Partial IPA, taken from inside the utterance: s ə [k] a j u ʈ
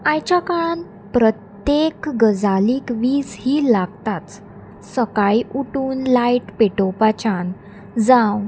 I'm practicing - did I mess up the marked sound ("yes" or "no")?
no